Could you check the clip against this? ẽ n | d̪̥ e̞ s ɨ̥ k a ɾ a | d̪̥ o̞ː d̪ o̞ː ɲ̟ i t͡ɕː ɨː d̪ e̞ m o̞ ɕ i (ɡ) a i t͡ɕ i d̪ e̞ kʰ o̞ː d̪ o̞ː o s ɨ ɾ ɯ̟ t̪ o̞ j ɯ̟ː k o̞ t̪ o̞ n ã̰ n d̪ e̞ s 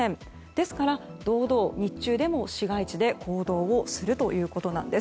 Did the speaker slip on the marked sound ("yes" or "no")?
no